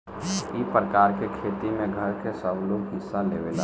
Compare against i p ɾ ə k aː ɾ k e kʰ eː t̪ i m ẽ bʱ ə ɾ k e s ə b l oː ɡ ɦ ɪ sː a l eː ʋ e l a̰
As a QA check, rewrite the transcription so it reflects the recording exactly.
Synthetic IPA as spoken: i p ɾ ə k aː ɾ k e kʰ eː t̪ i m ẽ ɡʱ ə ɾ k e s ə b l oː ɡ ɦ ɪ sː a l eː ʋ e l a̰